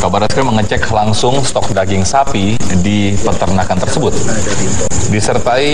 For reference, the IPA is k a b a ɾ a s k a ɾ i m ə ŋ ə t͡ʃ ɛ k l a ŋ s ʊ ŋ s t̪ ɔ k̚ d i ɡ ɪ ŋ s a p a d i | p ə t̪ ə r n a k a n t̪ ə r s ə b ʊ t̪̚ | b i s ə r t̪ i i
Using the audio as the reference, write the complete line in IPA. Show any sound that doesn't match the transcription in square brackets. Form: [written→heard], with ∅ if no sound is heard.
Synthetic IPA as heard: k a b a ɾ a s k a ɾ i m ə ŋ ə t͡ʃ ɛ k l a ŋ s ʊ ŋ s t̪ ɔ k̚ d [i→a] ɡ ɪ ŋ s a p [a→i] d i | p ə t̪ ə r n a k a n t̪ ə r s ə b ʊ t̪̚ | [b→d] i s ə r t̪ [i→a] i